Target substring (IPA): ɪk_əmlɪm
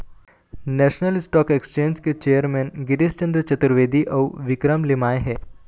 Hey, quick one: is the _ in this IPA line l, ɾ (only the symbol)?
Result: ɾ